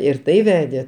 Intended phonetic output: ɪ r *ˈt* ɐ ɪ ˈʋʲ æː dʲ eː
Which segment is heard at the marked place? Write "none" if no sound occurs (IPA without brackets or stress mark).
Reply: t